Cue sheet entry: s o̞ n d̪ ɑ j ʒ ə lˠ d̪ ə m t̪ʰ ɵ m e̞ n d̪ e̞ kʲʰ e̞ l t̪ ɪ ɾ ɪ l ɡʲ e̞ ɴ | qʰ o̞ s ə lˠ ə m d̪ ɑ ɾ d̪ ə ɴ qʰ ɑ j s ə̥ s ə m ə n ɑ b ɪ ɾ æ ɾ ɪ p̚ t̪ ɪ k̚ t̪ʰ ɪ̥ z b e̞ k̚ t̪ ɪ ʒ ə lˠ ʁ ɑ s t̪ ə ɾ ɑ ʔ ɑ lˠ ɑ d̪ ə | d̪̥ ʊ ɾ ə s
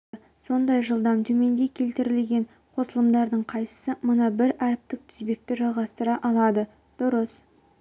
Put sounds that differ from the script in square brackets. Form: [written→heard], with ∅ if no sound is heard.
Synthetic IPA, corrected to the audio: s o̞ n d̪ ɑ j ʒ ə lˠ d̪ [ə→ɑ] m t̪ʰ ɵ m e̞ n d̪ e̞ kʲʰ e̞ l t̪ ɪ ɾ ɪ l ɡʲ e̞ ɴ | qʰ o̞ s ə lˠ ə m d̪ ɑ ɾ d̪ ə ɴ qʰ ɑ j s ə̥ s ə m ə n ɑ b ɪ ɾ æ ɾ ɪ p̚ t̪ ɪ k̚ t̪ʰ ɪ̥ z b e̞ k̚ t̪ ɪ ʒ [ə→ɑ] lˠ ʁ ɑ s t̪ ə ɾ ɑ ʔ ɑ lˠ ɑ d̪ ə | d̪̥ ʊ ɾ ə s